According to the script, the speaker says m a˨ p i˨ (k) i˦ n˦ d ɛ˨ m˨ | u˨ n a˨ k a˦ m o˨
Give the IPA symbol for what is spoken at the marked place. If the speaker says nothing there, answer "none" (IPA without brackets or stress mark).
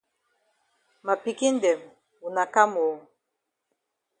k